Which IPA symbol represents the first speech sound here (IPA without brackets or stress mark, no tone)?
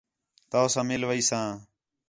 t̪